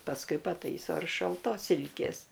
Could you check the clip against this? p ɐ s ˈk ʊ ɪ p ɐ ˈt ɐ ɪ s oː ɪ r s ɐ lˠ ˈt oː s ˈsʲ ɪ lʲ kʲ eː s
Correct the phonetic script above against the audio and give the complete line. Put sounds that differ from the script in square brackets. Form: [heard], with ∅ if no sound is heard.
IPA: p ɐ s ˈk ʊ ɪ p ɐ ˈt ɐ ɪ s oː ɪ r [ʃ] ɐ lˠ ˈt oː s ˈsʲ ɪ lʲ kʲ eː s